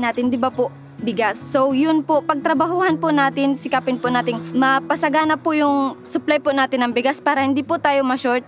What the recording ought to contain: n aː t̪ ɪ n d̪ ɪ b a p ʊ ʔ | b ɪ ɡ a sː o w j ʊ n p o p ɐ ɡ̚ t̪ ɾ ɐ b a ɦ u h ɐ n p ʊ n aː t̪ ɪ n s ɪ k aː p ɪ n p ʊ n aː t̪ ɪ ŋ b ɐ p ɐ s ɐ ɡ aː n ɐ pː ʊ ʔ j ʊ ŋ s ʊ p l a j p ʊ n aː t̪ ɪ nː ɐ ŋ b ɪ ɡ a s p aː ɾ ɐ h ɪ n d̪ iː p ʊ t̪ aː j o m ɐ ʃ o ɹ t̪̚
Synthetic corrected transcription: n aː t̪ ɪ n d̪ ɪ b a p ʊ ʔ | b ɪ ɡ a sː o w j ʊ n p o p ɐ ɡ̚ t̪ ɾ ɐ b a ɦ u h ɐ n p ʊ n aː t̪ ɪ n s ɪ k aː p ɪ n p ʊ n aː t̪ ɪ ŋ m ɐ p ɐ s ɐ ɡ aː n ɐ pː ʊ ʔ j ʊ ŋ s ʊ p l a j p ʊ n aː t̪ ɪ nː ɐ ŋ b ɪ ɡ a s p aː ɾ ɐ h ɪ n d̪ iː p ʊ t̪ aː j o m ɐ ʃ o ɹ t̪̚